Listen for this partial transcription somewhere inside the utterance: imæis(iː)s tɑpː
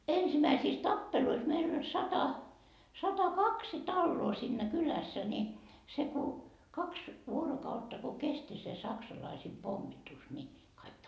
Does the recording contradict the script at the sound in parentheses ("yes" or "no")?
no